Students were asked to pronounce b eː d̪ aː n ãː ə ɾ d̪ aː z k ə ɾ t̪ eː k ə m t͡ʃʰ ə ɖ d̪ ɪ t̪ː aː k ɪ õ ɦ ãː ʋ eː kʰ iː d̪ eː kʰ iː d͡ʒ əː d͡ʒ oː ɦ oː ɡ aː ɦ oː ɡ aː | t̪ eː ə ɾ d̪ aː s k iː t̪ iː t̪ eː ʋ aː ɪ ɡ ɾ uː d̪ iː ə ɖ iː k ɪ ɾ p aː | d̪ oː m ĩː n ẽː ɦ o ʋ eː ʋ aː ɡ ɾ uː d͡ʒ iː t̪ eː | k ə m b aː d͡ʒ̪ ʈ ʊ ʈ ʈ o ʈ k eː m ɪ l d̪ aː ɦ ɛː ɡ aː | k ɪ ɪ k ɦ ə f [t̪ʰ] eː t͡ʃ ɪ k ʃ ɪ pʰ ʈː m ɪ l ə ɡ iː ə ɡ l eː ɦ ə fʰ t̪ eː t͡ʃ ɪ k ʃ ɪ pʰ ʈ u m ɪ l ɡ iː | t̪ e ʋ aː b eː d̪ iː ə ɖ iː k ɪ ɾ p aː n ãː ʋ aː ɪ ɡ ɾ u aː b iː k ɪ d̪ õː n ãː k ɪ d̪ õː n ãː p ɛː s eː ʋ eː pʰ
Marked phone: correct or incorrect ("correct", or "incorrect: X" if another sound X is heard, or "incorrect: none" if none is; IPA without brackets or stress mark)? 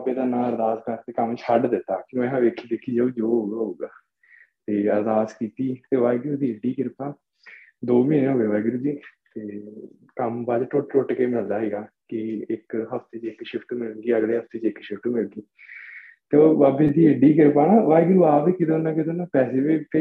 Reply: incorrect: t̪